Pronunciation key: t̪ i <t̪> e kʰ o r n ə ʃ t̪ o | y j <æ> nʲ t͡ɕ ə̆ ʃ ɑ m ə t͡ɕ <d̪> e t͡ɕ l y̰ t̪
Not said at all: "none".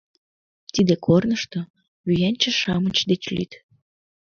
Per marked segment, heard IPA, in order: d̪, æ, d̪

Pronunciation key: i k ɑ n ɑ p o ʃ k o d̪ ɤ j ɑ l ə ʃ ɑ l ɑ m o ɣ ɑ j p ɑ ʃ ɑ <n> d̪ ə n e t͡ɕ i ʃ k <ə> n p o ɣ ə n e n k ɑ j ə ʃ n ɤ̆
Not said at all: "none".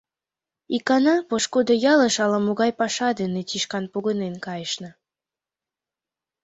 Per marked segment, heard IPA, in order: none, ɑ

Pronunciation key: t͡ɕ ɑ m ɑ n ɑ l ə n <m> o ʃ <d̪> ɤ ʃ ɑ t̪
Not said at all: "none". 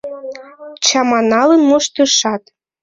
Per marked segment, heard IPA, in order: m, t̪

